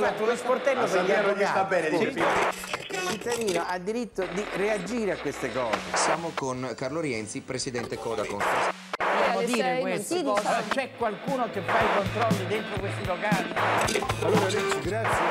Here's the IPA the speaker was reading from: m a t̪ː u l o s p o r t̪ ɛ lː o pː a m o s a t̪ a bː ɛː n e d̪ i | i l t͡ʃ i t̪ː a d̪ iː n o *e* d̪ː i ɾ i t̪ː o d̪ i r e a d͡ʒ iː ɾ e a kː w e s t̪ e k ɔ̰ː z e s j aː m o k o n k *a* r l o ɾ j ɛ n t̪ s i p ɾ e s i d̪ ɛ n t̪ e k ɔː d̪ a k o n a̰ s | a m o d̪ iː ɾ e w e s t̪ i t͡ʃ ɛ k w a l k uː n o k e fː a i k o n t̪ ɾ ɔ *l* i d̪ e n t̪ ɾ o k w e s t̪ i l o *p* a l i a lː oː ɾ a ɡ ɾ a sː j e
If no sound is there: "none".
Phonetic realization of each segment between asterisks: a, a, lː, k

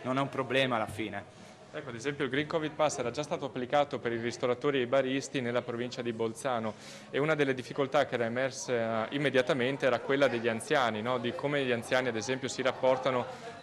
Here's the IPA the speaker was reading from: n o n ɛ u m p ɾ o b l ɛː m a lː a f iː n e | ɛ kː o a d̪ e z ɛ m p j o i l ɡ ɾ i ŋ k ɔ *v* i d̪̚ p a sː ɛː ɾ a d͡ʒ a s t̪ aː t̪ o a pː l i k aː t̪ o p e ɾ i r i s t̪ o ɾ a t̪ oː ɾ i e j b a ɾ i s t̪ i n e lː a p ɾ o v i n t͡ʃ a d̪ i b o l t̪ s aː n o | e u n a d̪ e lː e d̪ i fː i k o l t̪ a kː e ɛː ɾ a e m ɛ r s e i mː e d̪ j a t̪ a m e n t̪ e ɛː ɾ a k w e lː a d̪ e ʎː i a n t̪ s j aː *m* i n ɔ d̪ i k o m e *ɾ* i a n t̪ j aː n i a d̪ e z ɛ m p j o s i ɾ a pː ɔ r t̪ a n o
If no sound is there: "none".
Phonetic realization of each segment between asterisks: v, n, ʎ

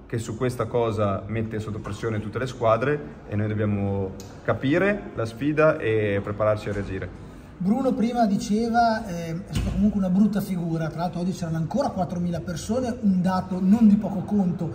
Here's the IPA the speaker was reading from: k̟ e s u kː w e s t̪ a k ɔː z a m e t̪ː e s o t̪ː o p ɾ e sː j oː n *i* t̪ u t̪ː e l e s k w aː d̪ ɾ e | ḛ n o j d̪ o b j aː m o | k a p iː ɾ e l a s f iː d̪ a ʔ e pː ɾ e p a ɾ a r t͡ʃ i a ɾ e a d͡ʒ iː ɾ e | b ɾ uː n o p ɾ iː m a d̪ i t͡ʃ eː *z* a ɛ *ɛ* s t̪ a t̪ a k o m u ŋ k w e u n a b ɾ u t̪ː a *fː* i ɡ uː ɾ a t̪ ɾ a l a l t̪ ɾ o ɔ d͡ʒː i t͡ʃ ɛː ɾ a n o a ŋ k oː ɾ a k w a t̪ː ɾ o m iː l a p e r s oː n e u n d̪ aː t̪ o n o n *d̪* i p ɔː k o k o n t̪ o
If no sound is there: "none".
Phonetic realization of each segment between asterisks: e, v, ɛ, f, d̪

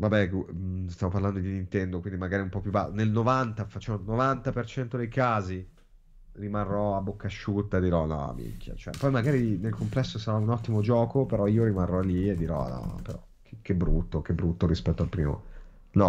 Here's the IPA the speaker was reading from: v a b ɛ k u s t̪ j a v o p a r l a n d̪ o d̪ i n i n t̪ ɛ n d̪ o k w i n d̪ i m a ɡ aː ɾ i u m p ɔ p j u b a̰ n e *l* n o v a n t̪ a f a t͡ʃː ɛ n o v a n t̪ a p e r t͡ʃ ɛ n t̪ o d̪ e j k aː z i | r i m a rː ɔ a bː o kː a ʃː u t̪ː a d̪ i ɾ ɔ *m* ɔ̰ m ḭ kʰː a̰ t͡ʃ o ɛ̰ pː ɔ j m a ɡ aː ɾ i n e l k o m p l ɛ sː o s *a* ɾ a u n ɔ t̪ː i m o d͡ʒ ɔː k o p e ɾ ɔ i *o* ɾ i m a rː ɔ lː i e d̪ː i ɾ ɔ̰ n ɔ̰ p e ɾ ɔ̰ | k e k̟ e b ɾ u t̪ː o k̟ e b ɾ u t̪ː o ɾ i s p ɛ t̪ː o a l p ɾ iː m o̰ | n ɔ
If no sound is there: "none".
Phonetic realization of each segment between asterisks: l, n, a, o

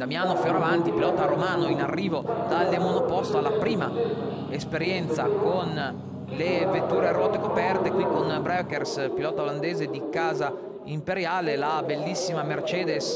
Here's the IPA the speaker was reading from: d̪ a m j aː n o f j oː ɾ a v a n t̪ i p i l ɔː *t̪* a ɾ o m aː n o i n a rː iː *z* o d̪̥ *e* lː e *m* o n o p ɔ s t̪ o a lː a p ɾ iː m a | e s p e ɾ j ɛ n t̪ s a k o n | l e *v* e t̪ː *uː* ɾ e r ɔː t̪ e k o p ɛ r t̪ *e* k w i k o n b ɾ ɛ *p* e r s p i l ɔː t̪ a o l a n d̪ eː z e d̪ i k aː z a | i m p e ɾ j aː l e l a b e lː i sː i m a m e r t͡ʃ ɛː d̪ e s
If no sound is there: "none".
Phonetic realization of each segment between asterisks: t̪, v, a, m, v, uː, e, k

